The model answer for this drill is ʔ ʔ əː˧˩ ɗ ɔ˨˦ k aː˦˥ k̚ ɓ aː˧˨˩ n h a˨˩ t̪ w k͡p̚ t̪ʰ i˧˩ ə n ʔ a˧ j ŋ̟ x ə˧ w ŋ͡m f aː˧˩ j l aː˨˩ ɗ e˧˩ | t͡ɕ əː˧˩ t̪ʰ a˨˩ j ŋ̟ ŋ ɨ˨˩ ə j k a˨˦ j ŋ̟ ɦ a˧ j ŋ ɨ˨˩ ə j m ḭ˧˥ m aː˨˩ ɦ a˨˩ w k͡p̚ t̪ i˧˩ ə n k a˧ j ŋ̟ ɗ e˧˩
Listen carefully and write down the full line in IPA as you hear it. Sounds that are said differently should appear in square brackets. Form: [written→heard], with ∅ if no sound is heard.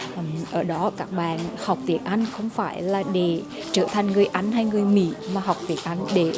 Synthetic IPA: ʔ ʔ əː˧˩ ɗ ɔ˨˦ k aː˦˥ k̚ ɓ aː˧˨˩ n h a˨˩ [t̪→∅] w k͡p̚ [t̪ʰ→t̪] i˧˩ ə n ʔ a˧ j ŋ̟ x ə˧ w ŋ͡m f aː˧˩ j l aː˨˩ ɗ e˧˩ | t͡ɕ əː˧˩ t̪ʰ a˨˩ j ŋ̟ ŋ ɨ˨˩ ə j [k→ʔ] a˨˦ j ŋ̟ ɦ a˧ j ŋ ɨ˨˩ ə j m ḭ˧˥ m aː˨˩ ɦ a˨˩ w k͡p̚ t̪ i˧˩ ə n [k→ʔ] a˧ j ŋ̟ ɗ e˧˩